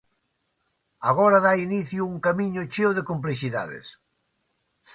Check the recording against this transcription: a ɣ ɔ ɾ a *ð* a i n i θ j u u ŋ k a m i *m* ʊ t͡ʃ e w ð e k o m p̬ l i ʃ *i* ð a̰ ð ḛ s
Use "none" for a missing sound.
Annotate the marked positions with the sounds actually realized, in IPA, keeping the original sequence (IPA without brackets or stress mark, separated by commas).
ð, ɲ, i